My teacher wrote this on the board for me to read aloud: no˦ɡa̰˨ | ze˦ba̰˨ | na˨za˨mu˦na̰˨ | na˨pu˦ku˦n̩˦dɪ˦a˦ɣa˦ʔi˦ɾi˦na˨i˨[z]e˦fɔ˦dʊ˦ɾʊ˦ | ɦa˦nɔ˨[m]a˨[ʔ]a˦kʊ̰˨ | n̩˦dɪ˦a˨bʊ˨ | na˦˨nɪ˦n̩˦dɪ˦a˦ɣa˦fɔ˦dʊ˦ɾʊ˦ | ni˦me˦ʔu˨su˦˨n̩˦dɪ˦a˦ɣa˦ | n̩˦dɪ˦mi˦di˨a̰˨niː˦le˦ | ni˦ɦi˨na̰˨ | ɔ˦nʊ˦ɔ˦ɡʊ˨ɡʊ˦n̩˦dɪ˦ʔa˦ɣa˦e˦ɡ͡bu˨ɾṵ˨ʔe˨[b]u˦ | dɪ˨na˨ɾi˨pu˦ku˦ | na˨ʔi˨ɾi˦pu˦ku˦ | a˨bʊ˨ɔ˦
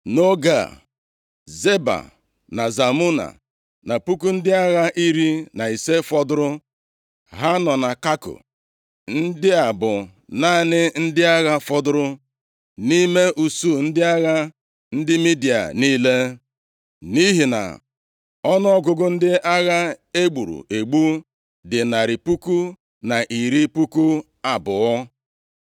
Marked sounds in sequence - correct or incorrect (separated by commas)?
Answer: incorrect, incorrect, incorrect, incorrect